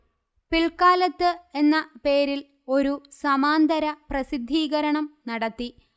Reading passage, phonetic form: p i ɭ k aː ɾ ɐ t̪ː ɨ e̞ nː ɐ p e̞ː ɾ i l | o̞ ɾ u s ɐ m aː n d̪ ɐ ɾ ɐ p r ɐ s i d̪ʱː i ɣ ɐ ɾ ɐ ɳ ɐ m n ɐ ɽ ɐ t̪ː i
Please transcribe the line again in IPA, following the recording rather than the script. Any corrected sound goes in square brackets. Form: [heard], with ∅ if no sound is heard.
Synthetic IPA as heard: p i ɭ k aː [l] ɐ t̪ː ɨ e̞ nː ɐ p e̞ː ɾ i l | o̞ ɾ u s ɐ m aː n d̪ ɐ ɾ ɐ p r ɐ s i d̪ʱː [iː] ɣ ɐ ɾ ɐ ɳ ɐ m n ɐ ɽ ɐ t̪ː i